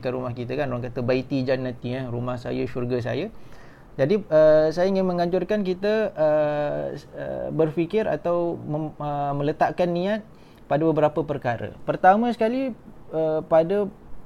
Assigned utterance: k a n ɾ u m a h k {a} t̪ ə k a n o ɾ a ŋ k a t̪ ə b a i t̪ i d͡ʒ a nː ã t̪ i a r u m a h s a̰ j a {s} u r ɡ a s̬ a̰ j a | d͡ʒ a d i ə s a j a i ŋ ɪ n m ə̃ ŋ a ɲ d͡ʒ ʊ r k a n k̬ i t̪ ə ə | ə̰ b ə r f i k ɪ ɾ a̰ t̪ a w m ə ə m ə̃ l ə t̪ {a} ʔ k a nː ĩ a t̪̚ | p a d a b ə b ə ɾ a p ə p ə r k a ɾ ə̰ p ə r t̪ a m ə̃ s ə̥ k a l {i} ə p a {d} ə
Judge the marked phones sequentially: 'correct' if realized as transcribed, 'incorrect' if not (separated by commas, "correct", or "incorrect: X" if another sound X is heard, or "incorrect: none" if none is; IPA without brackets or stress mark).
incorrect: i, incorrect: ʃ, correct, correct, correct